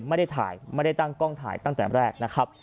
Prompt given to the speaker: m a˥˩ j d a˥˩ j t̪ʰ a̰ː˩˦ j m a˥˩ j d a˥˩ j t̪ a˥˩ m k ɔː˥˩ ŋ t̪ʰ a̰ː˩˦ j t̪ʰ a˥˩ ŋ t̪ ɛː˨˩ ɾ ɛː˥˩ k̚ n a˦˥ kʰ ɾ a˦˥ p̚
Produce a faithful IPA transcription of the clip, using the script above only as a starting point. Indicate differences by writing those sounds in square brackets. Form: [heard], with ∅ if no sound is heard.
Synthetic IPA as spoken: m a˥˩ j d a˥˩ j t̪ʰ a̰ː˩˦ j m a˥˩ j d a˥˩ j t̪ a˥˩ [ŋ] k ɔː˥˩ ŋ t̪ʰ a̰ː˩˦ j [t̪] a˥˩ ŋ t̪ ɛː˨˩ ɾ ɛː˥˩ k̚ n a˦˥ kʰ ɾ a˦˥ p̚

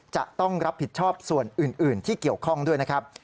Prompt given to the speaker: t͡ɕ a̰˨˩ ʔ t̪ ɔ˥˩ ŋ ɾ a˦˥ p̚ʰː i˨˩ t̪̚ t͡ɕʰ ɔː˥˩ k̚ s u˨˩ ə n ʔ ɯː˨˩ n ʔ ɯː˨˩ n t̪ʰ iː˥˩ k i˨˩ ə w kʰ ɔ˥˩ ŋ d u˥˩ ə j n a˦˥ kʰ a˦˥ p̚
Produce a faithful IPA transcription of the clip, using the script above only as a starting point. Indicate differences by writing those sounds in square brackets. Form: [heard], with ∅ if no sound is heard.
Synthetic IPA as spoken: t͡ɕ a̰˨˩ ʔ t̪ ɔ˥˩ ŋ ɾ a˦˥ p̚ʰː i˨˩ t̪̚ t͡ɕʰ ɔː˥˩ [p̚] s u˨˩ ə n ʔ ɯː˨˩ n ʔ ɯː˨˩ n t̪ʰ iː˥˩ k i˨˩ ə w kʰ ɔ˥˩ ŋ d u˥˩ ə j n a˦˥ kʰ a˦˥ p̚

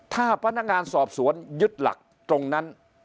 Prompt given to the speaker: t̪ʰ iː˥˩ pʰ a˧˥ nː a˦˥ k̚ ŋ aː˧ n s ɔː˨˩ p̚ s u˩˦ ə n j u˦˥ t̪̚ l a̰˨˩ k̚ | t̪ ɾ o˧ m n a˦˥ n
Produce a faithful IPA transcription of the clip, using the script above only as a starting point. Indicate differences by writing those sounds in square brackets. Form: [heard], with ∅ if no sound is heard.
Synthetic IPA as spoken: t̪ʰ [aː˥˩] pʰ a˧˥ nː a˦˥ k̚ ŋ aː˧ n s ɔː˨˩ p̚ s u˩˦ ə n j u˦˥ t̪̚ l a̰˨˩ k̚ | t̪ ɾ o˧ [ŋ] n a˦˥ n

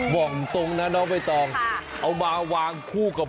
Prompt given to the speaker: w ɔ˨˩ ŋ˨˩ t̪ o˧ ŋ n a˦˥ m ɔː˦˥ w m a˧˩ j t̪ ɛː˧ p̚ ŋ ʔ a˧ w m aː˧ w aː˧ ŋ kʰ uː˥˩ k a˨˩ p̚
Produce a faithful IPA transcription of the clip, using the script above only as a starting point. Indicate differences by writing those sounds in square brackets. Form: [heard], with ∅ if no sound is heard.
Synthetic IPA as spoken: w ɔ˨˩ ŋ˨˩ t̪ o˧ ŋ n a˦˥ [n] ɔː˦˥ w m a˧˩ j t̪ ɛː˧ [∅] ŋ ʔ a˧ w m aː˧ w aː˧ ŋ kʰ uː˥˩ k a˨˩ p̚

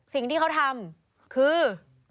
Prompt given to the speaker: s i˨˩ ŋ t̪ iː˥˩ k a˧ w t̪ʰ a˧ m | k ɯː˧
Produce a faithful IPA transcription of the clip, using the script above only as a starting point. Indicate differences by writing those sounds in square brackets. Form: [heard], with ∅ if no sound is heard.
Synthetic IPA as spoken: s i˨˩ ŋ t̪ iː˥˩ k [a˦˥] w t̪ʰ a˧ m | [kʰ] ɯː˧

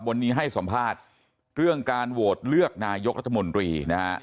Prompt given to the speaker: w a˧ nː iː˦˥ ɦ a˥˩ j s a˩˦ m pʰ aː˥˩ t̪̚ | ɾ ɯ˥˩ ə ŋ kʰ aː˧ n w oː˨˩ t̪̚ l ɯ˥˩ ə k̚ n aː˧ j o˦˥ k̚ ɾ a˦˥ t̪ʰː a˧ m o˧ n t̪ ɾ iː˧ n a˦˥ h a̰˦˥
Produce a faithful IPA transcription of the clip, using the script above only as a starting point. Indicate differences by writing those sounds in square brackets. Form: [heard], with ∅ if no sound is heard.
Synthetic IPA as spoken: w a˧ nː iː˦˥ ɦ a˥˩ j s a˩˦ m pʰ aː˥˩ t̪̚ | ɾ ɯ˥˩ ə ŋ [k] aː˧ n w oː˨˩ t̪̚ l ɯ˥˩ ə k̚ n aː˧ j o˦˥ k̚ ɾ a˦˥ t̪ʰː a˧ m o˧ n t̪ ɾ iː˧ n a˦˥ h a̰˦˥

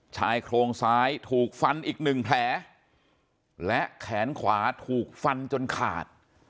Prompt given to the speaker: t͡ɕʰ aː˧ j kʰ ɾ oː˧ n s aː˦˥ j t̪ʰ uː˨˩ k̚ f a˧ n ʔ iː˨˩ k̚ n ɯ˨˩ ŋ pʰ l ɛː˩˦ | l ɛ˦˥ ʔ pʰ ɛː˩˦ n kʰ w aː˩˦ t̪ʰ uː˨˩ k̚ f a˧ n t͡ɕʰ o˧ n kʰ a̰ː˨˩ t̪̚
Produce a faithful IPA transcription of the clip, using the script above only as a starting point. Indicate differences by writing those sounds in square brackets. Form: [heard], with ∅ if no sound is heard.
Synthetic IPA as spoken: t͡ɕʰ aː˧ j kʰ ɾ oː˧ [ŋ] s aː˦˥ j t̪ʰ uː˨˩ k̚ f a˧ n ʔ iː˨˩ k̚ n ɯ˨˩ ŋ pʰ l ɛː˩˦ | l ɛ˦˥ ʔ [kʰ] ɛː˩˦ n kʰ w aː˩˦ t̪ʰ uː˨˩ k̚ f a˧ n [t͡ɕ] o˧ n kʰ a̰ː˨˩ t̪̚

